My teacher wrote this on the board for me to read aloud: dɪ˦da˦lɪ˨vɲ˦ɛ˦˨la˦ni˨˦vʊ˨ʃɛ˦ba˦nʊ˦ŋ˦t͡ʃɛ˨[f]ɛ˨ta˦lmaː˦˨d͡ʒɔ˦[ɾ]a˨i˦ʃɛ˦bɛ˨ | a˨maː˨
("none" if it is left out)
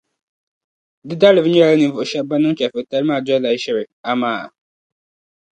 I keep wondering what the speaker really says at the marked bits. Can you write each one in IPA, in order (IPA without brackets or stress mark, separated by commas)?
f, l